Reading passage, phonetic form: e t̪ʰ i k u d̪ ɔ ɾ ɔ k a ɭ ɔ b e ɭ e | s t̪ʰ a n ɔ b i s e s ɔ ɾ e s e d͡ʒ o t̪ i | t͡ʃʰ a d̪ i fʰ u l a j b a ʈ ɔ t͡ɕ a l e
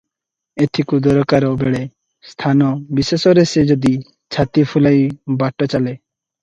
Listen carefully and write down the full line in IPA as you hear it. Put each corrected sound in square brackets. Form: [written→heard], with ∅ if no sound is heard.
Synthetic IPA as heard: e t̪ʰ i k u d̪ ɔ ɾ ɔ k a [ɭ→ɾ] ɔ b e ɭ e | s t̪ʰ a n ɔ b i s e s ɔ ɾ e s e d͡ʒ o [t̪→d̪] i | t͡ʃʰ a [d̪→t̪] i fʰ u l a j b a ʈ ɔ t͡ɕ a l e

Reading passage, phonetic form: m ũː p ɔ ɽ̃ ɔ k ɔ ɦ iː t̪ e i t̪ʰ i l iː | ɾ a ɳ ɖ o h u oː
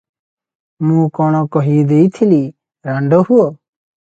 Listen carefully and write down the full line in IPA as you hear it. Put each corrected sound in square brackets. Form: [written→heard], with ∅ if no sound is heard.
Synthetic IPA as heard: m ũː [p→k] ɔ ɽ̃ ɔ k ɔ ɦ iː [t̪→d̪] e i t̪ʰ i l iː | ɾ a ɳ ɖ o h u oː

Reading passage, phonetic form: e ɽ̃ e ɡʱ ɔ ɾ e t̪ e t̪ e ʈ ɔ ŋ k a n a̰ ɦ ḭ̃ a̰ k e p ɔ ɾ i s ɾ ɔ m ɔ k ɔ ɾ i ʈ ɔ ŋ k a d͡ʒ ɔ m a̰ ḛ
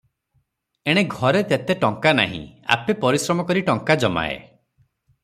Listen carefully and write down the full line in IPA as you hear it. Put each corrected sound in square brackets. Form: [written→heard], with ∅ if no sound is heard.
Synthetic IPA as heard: e ɽ̃ e ɡʱ ɔ ɾ e t̪ e t̪ e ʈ ɔ ŋ k a n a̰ ɦ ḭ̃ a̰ [k→p] e p ɔ ɾ i s ɾ ɔ m ɔ k ɔ ɾ i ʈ ɔ ŋ k a d͡ʒ ɔ m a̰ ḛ

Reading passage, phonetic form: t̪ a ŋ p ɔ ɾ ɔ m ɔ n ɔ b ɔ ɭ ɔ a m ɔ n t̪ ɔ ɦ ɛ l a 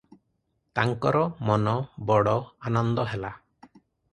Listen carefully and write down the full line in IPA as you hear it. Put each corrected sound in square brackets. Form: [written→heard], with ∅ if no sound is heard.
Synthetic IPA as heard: t̪ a ŋ [p→k] ɔ ɾ ɔ m ɔ n ɔ b ɔ [ɭ→ɽ] ɔ a [m→n] ɔ n [t̪→d̪] ɔ ɦ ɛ l a

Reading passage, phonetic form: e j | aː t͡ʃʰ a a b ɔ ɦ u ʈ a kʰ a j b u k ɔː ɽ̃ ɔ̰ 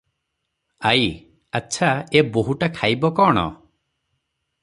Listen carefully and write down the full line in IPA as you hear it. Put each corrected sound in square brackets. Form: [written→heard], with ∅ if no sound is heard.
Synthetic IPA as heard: [e→a] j | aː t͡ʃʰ a [a→e] b [ɔ→o] ɦ u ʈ a kʰ a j b [u→ɔ] k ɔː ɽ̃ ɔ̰

